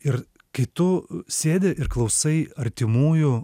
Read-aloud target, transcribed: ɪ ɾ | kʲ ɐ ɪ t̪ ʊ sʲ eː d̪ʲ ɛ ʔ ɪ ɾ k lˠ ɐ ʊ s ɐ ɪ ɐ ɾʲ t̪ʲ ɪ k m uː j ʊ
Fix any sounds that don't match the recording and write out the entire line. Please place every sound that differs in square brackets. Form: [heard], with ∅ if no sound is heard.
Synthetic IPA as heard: ɪ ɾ | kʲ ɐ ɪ t̪ ʊ sʲ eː d̪ʲ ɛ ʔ ɪ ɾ k lˠ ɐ ʊ s ɐ ɪ ɐ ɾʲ t̪ʲ ɪ [∅] m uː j ʊ